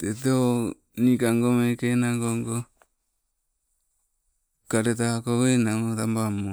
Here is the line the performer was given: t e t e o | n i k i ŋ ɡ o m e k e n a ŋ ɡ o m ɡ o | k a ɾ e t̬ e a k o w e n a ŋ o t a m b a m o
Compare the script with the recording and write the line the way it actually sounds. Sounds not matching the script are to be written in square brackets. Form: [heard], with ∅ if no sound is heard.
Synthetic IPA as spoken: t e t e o | n i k [a] ŋ ɡ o m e k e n a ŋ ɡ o [ŋ] ɡ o | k a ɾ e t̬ [a] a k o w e n a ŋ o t a m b a m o

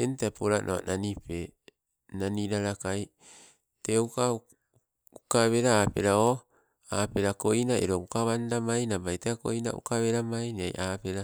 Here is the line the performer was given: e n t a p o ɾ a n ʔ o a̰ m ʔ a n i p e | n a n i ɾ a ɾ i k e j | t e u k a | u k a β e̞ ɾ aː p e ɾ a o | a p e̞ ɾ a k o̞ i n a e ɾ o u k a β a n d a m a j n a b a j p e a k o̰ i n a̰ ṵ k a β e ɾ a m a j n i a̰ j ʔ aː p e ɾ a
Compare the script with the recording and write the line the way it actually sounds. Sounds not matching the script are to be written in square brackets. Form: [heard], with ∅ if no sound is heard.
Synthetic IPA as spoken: e n t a p o ɾ a n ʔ o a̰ [n] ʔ a n i p e | n a n i ɾ a ɾ [a] k [a] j | t e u k a | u k a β e̞ ɾ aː p e ɾ a o | a p e̞ ɾ a k o̞ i n a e ɾ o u k a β a n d a m a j n a b a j [t] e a k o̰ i n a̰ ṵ k a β e ɾ a m a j n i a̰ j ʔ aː p e ɾ a

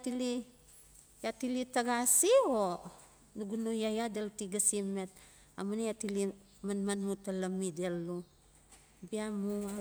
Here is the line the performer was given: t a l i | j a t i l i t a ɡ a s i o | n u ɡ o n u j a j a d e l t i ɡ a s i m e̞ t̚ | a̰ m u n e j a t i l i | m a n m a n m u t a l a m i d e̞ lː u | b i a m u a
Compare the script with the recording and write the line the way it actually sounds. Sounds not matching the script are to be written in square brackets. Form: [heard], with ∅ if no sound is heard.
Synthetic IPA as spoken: t [i] l i | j a t i l i t a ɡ a s i o | n u ɡ [u] n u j a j a d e l t i ɡ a s i m e̞ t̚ | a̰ m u n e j a t i l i | m a n m a n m u t a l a m i d e̞ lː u | b i a m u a

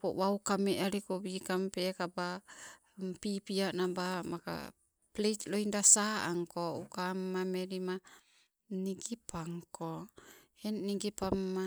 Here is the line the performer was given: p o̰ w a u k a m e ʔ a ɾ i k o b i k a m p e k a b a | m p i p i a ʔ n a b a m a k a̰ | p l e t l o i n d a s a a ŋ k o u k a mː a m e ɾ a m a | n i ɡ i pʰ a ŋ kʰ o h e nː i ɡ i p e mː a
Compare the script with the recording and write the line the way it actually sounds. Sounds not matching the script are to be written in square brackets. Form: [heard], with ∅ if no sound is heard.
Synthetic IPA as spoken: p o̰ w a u k a m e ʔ a ɾ i k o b i k a m p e k a b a | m p i p i a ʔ n a b a m a k a̰ | p l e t l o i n d a s a a ŋ k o u k a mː a m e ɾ [i] m a | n i ɡ i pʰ a ŋ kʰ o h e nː i ɡ i p [a] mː a

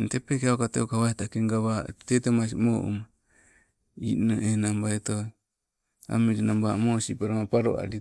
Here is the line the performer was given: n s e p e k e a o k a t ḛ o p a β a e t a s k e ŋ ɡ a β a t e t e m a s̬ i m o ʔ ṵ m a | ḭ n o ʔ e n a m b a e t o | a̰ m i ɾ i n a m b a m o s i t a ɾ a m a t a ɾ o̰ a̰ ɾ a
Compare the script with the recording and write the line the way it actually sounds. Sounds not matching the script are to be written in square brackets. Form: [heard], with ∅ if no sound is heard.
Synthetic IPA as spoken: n [t] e p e k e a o k a t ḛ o [k] a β a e t a [∅] k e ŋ ɡ a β a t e t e m a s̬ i m o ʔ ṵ m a | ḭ n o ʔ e n a m b a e t o | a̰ m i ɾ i n a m b a m o s i [p] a ɾ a m a [p] a ɾ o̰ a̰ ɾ [i]

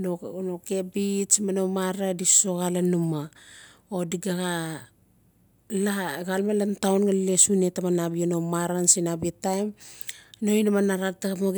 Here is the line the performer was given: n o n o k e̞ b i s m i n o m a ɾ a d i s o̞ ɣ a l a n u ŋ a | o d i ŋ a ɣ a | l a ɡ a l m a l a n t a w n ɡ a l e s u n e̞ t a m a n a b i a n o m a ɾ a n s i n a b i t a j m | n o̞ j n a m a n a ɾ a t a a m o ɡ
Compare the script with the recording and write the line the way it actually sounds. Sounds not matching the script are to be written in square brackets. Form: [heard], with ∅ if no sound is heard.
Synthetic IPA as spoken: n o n o k e̞ b i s m [a] n o m a ɾ a d i s o̞ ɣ a l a n u [m] a | o d i [ɡ] a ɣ a | l a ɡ a l m a l a n t a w n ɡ a l e s u n e̞ t a m a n a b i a n o m a ɾ a n s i n a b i t a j m | n o̞ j n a m a n a ɾ a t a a m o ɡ

